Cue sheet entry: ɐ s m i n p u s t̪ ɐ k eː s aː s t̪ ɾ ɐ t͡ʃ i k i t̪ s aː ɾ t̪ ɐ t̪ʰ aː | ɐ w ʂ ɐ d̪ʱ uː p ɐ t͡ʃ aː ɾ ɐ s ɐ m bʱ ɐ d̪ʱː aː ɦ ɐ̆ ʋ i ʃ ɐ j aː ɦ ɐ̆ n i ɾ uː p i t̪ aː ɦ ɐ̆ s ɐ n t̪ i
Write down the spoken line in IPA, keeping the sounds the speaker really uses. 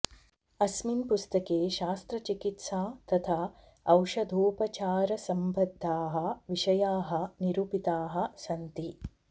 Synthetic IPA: ɐ s m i n p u s t̪ ɐ k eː ʃ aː s t̪ ɾ ɐ t͡ʃ i k i t̪ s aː t̪ ɐ t̪ʰ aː | ɐ w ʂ ɐ d̪ʱ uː p ɐ t͡ʃ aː ɾ ɐ s ɐ m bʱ ɐ d̪ʱː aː ɦ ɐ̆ ʋ i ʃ ɐ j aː ɦ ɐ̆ n i ɾ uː p i t̪ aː ɦ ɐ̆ s ɐ n t̪ i